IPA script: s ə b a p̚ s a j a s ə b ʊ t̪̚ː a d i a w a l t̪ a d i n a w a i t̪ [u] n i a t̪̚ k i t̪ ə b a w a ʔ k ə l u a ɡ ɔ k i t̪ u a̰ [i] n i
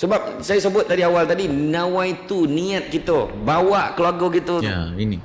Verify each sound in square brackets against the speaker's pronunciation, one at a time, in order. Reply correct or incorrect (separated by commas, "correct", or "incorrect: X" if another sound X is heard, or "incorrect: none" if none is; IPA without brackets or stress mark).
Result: correct, correct